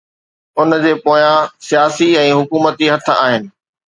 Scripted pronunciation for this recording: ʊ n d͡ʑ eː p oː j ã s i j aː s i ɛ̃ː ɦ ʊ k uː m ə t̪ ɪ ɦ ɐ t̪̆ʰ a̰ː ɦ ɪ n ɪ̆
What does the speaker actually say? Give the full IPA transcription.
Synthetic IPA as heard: ʊ n d͡ʑ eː p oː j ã s i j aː s i ɛ̃ː ɦ ʊ k uː m ə t̪ i ɦ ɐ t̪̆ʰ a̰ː ɦ ɪ n ɪ̆